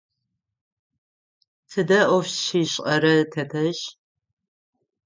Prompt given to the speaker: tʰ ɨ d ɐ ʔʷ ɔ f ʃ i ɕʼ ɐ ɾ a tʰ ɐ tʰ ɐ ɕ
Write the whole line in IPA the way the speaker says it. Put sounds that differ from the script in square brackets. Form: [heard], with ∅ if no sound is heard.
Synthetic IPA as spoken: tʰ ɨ d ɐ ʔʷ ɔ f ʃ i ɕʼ ɐ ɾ [ɐ] tʰ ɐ tʰ ɐ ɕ